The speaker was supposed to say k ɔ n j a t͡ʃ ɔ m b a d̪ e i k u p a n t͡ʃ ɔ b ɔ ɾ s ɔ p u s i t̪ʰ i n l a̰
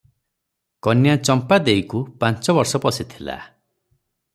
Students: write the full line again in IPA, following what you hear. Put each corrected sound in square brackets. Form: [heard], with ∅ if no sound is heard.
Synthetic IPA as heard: k ɔ n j a t͡ʃ ɔ m [p] a d̪ e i k u p a n t͡ʃ ɔ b ɔ ɾ s ɔ p [ɔ] s i t̪ʰ i [∅] l a̰

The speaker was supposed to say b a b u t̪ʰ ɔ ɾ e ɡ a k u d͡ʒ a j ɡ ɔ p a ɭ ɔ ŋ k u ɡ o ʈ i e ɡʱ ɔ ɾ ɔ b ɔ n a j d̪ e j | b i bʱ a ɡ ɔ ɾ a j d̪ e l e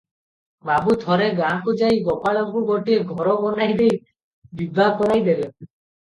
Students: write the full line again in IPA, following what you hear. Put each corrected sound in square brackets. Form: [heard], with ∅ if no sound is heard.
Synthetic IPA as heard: b a b u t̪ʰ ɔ ɾ e ɡ a k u d͡ʒ a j ɡ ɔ p a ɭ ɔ ŋ k u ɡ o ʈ i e ɡʱ ɔ ɾ ɔ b ɔ n a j d̪ e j | b i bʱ a [k] ɔ ɾ a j d̪ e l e

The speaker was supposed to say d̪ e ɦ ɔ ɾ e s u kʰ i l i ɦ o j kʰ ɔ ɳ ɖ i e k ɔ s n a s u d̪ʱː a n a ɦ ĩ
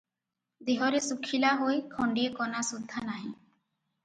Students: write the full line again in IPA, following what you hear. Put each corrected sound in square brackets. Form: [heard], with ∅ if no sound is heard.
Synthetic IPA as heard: d̪ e ɦ ɔ ɾ e s u kʰ i l [a] ɦ o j kʰ ɔ ɳ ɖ i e k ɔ [∅] n a s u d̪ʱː a n a ɦ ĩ

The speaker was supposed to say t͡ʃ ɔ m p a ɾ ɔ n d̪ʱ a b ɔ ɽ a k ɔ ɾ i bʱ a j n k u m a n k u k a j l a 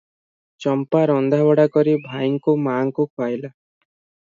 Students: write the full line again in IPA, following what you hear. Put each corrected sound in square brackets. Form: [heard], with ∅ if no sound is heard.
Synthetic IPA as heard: t͡ʃ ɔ m p a ɾ ɔ n d̪ʱ a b ɔ ɽ a k ɔ ɾ i bʱ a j [ŋ] k u m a [ŋ] k u k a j l a

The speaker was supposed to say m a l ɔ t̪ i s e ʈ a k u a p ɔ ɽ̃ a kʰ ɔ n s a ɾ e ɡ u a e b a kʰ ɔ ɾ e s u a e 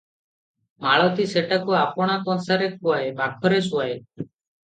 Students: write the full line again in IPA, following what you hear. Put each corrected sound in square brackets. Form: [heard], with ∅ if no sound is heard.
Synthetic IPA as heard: m a [ɭ] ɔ t̪ i s e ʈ a k u a p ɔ ɽ̃ a [k] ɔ n s a ɾ e [k] u a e b a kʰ ɔ ɾ e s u a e

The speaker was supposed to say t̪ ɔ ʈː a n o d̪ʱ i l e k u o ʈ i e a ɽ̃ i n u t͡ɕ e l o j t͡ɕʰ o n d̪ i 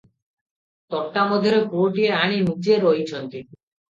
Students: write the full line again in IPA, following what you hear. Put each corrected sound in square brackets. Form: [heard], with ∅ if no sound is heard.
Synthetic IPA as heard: t̪ ɔ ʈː a [m] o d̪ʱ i [ɾ] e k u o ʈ i e a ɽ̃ i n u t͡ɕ e [ɾ] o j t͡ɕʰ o n [t̪] i

